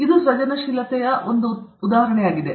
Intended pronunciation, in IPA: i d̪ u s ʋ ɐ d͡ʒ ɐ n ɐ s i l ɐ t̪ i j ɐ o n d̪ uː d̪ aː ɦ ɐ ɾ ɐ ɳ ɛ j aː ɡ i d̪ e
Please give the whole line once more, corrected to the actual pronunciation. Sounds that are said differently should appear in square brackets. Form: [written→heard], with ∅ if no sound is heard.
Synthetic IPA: i d̪ u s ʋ ɐ d͡ʒ ɐ n ɐ [s→ʃ] i l ɐ t̪ [i→ɛ] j ɐ o n d̪ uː d̪ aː ɦ ɐ ɾ ɐ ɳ ɛ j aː ɡ i d̪ e